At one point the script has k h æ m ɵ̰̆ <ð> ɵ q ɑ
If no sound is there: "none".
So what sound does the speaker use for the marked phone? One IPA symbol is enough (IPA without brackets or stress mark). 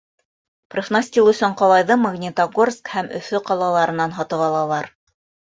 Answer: θ